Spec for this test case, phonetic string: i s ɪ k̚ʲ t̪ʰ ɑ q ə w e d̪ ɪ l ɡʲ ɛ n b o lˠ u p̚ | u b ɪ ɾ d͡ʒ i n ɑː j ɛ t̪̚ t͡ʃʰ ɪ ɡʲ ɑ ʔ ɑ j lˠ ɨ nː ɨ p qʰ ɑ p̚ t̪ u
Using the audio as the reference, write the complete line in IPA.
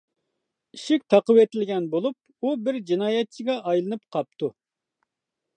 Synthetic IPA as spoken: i ʃ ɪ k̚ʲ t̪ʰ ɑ q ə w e t̪ ɪ l ɡʲ ɛ n b o lˠ u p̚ | u b ɪ ɾ d͡ʒ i n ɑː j ɛ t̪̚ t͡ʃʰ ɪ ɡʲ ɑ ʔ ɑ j lˠ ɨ n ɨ p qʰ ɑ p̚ t̪ u